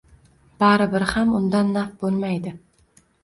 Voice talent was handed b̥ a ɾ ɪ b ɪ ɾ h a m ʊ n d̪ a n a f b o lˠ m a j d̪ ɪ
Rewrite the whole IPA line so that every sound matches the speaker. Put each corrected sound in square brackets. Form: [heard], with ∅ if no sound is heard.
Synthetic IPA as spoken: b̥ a ɾ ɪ b ɪ ɾ h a m ʊ n d̪ a [nː] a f b o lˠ m a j d̪ ɪ